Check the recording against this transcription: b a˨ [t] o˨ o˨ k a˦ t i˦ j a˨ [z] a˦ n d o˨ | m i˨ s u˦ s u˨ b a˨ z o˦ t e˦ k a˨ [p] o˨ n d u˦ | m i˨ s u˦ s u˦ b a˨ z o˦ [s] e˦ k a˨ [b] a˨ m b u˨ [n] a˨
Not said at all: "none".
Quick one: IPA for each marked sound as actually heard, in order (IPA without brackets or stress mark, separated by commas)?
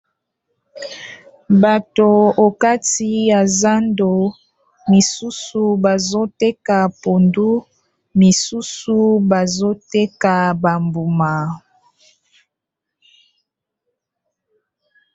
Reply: t, z, p, t, b, m